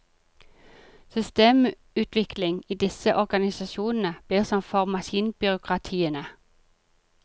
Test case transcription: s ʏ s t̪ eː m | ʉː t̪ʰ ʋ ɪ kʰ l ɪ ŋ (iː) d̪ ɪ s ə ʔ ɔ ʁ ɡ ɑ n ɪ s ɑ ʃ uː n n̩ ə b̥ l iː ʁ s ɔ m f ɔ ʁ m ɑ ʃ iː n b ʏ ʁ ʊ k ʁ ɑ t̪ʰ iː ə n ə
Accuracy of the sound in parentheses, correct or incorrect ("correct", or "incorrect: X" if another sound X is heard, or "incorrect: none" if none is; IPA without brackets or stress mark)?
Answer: correct